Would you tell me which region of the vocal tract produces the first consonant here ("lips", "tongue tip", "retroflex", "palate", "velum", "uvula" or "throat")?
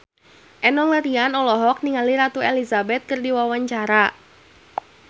throat